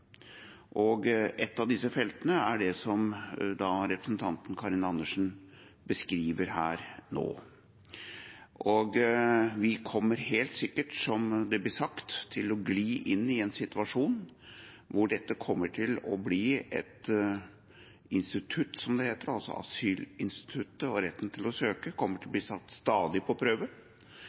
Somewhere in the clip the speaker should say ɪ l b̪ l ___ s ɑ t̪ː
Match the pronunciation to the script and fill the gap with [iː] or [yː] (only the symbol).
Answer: iː